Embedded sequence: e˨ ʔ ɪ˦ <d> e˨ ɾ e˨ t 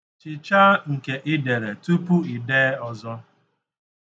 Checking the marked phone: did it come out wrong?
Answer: no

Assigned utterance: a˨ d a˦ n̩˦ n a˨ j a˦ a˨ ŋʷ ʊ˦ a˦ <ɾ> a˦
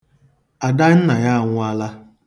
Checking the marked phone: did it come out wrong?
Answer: yes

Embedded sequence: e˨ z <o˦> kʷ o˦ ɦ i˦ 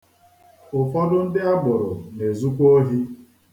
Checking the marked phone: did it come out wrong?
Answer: yes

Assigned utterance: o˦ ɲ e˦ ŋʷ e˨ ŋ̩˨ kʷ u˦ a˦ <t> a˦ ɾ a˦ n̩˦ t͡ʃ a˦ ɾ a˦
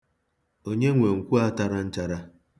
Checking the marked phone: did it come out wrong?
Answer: no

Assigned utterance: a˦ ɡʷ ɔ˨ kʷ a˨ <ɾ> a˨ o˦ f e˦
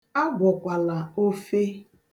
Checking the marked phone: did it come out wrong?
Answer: yes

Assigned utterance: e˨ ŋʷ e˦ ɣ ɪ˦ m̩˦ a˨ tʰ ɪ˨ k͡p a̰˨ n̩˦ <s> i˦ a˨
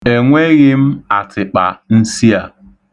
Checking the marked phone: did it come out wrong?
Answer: no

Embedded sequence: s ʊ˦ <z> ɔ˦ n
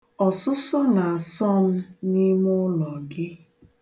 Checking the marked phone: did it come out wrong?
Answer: yes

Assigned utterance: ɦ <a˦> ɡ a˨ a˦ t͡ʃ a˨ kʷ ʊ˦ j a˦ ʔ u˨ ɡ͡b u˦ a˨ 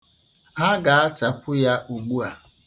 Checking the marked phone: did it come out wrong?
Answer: no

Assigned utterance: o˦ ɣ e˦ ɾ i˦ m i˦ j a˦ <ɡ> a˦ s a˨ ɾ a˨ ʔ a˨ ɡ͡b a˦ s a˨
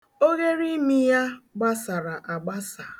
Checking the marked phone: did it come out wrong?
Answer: yes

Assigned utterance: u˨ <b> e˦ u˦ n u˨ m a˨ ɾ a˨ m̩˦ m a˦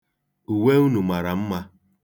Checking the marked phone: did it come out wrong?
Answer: yes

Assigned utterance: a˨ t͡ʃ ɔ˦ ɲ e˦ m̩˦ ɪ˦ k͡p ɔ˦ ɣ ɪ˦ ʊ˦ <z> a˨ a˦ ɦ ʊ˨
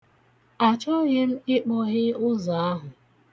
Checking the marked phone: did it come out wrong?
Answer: no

